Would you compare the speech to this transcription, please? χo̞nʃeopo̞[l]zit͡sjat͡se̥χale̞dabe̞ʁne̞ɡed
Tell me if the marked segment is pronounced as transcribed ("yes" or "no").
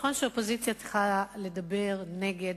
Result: no